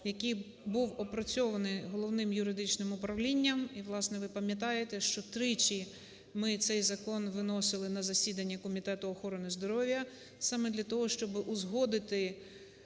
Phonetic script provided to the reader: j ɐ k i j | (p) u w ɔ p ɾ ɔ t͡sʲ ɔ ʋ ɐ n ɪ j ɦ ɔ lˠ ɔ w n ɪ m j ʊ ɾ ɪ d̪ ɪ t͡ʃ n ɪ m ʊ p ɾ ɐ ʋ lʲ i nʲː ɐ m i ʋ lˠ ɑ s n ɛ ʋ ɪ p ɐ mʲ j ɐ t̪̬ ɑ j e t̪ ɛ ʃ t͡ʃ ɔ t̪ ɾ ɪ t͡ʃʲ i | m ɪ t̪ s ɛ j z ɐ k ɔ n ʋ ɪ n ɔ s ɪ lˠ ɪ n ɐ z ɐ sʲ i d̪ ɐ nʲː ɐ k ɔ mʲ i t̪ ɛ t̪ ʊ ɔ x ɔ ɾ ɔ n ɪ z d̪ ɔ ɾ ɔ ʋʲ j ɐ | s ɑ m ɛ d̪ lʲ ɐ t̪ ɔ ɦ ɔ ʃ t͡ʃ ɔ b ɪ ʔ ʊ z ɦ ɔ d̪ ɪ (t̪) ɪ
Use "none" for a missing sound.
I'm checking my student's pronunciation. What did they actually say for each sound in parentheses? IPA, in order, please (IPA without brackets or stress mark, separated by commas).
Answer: b, t̪